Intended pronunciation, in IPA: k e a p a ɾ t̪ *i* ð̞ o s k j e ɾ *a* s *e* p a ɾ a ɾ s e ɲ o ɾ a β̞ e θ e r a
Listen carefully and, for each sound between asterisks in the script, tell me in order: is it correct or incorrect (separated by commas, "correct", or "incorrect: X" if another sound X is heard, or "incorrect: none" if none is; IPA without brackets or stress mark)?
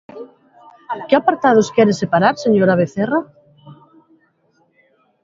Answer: incorrect: a, incorrect: e, correct